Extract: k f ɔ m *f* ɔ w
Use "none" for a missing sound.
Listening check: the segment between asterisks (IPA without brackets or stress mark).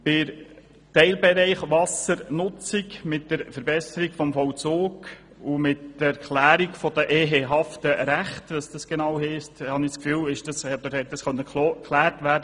f